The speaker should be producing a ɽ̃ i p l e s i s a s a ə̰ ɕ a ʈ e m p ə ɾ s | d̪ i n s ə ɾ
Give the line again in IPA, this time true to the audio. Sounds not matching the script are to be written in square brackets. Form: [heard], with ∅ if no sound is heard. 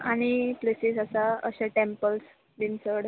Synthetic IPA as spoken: a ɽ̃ i p l e s i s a s a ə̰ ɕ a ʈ e m p ə [l] s | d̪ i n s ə [ɽ]